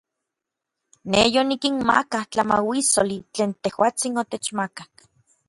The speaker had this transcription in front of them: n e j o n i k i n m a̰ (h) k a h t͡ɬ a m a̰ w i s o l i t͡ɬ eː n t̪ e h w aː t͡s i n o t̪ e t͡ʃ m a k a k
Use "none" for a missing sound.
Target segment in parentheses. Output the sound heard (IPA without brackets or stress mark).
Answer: none